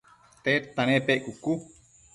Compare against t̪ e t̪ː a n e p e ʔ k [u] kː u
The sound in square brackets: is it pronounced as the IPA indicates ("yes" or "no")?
yes